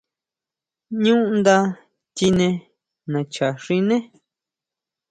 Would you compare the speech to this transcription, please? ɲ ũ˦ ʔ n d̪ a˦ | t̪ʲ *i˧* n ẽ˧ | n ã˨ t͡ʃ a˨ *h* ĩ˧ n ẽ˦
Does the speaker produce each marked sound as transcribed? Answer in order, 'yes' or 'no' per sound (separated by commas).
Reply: yes, no